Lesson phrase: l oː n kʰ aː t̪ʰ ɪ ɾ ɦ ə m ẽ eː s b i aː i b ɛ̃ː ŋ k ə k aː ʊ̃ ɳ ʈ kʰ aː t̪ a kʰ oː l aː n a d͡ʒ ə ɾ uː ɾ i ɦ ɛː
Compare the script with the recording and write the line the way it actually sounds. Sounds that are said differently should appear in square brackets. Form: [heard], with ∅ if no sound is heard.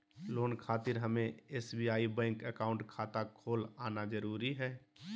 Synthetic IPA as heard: l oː n kʰ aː [t̪] ɪ ɾ ɦ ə m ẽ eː s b i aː i b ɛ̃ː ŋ k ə k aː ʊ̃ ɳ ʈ kʰ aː t̪ a kʰ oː l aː n a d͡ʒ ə ɾ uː ɾ i ɦ ɛː